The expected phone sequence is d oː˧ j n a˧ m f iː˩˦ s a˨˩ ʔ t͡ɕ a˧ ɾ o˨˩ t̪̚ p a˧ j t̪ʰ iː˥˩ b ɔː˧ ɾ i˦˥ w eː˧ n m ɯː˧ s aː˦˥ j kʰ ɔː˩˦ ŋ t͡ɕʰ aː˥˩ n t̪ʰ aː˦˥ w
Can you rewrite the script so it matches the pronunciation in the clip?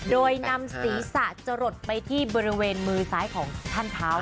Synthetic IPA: d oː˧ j n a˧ m s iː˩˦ s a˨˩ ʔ t͡ɕ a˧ ɾ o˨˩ t̪̚ p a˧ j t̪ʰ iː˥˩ b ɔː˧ ɾ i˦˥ w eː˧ n m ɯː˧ s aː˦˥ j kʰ ɔː˩˦ ŋ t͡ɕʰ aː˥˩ n t̪ʰ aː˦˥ w